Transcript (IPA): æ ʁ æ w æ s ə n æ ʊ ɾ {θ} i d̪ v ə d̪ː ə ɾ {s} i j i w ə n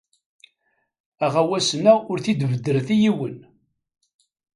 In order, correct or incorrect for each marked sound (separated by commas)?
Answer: correct, incorrect